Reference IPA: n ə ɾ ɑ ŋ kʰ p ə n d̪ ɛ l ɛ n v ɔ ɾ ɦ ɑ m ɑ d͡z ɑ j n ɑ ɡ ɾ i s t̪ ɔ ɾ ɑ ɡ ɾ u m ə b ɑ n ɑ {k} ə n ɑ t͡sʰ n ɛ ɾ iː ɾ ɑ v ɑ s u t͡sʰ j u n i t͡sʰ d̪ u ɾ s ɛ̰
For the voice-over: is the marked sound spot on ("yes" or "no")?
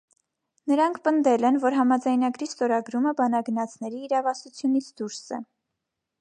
no